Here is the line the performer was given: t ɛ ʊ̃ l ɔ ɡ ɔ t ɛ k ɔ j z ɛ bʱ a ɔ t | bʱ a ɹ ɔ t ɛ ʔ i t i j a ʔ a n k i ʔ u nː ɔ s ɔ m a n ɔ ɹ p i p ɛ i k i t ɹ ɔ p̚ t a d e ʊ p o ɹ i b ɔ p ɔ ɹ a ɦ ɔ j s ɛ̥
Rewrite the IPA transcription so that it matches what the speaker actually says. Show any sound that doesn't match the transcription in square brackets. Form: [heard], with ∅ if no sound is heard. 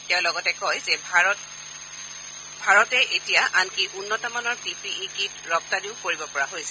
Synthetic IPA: t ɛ ʊ̃ l ɔ ɡ ɔ t ɛ k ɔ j z ɛ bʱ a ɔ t | bʱ a ɹ ɔ t ɛ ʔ [e] t i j a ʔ a n k i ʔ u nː ɔ [t] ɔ m a n ɔ ɹ p i p [i] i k i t ɹ ɔ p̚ t a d [i] ʊ [k] o ɹ i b ɔ p ɔ ɹ a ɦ [o] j s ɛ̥